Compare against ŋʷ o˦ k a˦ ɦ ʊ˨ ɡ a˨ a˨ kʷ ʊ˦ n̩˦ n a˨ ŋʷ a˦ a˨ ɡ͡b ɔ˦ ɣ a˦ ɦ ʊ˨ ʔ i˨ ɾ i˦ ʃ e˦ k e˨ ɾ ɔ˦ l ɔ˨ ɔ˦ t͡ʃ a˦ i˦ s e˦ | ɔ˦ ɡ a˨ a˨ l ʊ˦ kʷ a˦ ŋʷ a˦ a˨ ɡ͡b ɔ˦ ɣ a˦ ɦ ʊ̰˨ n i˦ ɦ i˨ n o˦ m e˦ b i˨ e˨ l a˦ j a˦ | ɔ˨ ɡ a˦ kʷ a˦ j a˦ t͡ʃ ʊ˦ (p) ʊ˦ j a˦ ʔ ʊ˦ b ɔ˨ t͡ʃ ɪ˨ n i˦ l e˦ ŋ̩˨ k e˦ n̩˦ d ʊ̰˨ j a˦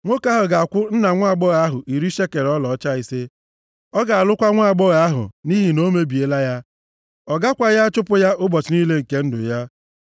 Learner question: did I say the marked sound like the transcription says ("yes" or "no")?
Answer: yes